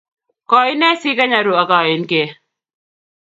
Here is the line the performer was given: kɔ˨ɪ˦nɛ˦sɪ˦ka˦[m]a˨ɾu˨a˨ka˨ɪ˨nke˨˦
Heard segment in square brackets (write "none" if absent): ɲ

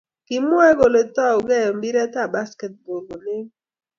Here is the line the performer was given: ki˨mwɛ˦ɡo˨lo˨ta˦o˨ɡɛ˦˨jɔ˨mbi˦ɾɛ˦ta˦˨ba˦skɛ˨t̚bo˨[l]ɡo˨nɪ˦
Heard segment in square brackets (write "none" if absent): l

